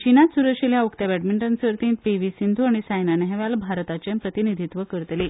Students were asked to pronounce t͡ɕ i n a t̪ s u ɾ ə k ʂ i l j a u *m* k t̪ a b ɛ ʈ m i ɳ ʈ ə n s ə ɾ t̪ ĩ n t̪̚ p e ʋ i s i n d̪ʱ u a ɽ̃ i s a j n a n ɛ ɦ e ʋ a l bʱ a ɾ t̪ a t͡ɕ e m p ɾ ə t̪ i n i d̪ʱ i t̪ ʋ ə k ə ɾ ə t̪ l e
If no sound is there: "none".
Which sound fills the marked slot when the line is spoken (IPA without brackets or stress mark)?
none